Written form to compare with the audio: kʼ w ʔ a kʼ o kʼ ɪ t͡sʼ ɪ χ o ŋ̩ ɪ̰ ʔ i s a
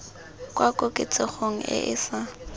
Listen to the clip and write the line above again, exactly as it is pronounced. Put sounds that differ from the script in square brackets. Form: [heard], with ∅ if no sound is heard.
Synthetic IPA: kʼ w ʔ a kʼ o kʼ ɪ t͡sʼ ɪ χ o ŋ̩ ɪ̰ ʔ [ɪ] s a